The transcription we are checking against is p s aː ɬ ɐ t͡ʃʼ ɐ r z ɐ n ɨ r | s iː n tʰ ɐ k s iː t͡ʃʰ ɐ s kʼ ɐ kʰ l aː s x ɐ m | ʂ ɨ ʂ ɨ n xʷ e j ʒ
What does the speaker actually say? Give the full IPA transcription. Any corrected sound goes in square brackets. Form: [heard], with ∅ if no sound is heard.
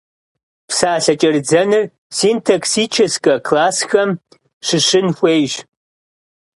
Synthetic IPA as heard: p s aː ɬ ɐ t͡ʃʼ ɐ r [d͡z] ɐ n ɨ r | s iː n tʰ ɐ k s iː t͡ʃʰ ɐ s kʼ ɐ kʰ l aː s x ɐ m | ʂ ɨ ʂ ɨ n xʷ e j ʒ